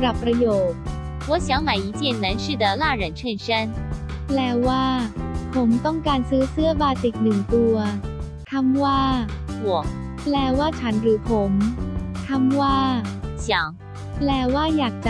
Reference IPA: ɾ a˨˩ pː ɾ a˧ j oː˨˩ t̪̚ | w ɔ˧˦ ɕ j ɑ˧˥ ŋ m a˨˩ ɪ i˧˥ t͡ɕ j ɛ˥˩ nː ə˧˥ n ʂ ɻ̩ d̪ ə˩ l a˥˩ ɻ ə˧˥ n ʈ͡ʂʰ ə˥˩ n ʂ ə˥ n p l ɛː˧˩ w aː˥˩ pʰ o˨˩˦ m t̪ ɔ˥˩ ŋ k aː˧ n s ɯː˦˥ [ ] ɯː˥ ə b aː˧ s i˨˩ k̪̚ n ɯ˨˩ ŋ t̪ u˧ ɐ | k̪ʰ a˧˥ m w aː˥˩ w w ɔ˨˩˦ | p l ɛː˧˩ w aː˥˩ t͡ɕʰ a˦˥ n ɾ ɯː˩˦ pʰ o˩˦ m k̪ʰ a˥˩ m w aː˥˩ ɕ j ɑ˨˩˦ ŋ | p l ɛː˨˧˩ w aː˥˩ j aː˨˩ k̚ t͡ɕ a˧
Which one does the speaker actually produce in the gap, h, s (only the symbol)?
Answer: s